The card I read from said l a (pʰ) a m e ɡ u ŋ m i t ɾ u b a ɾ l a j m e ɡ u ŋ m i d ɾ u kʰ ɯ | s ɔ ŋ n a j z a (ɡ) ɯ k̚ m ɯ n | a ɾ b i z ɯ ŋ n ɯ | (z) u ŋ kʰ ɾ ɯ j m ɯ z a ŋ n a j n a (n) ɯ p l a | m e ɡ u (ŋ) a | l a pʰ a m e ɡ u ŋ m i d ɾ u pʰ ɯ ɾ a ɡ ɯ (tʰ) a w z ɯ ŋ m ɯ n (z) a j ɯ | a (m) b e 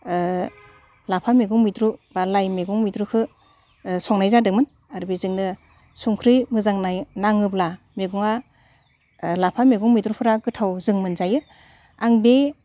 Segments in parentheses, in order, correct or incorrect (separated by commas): correct, incorrect, incorrect, incorrect, correct, correct, correct, incorrect